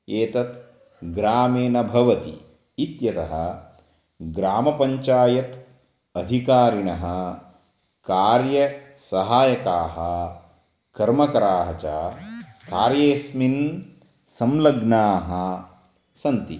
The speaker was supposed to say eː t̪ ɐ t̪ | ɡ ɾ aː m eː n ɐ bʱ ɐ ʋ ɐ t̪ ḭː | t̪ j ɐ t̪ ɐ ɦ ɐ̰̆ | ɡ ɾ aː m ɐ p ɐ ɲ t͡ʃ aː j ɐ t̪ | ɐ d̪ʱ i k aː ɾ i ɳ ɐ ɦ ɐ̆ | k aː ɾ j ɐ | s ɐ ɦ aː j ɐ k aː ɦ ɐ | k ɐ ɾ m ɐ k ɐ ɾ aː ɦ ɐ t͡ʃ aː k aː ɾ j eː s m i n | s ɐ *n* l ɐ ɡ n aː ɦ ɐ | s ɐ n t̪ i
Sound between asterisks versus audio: incorrect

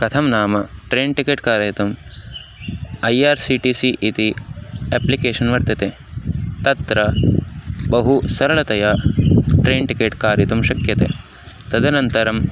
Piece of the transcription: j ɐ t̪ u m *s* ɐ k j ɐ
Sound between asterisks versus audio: incorrect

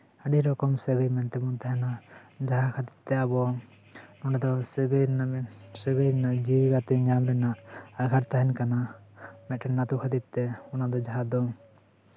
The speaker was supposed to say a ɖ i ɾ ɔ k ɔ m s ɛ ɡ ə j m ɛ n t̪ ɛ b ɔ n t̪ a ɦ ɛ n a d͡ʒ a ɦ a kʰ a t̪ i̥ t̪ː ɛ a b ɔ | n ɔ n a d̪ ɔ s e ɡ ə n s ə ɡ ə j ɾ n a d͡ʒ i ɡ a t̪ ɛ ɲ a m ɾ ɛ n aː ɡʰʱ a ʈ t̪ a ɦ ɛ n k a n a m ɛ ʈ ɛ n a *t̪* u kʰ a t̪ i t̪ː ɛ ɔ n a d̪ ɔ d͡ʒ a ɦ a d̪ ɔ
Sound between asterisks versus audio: correct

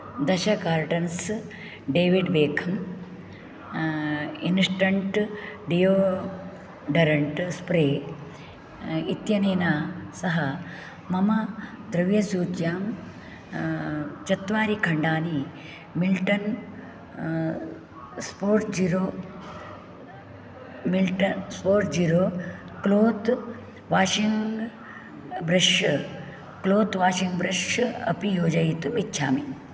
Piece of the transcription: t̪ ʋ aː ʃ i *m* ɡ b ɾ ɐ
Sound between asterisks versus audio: incorrect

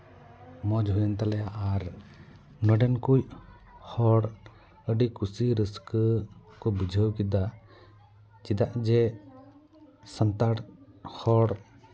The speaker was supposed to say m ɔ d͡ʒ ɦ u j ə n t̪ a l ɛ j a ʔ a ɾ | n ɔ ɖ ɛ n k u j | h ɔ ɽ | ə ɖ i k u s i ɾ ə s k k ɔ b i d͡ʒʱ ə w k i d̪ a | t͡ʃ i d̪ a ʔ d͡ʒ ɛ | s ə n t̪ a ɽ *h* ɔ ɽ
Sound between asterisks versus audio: correct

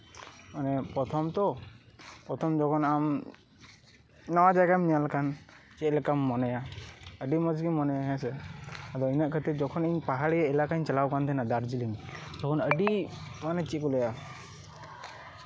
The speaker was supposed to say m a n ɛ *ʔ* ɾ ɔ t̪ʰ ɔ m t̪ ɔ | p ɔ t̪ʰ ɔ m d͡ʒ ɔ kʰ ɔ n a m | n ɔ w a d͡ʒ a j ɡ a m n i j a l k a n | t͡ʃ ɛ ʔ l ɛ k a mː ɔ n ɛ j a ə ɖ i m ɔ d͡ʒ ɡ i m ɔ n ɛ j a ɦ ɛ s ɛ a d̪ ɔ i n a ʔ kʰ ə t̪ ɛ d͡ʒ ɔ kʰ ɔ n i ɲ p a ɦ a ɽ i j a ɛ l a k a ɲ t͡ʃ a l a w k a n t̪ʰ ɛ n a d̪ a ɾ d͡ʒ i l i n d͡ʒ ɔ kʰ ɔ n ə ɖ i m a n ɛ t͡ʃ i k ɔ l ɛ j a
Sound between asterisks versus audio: incorrect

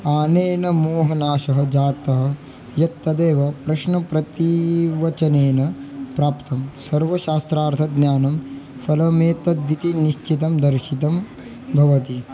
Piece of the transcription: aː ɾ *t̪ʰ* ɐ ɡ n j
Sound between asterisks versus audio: correct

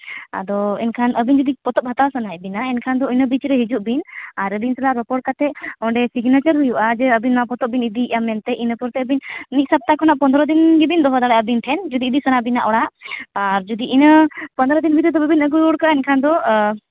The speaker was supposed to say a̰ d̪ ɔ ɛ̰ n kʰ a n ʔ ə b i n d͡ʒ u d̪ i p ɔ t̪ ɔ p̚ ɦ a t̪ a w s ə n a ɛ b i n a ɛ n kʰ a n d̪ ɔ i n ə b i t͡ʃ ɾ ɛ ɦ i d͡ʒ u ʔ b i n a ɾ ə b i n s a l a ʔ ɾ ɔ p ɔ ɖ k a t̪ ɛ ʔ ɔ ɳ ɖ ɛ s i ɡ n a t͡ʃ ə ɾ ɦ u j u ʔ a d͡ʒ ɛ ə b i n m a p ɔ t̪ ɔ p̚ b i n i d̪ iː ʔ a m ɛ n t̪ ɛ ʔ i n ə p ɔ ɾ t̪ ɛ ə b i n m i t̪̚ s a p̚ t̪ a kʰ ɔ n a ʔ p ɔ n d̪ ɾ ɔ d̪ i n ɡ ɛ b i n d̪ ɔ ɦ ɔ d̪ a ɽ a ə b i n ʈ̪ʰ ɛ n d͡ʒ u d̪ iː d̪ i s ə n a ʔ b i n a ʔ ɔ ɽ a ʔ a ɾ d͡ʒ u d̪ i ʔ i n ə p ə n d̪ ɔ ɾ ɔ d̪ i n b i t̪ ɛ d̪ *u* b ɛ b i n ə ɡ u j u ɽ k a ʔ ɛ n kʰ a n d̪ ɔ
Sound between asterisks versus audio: incorrect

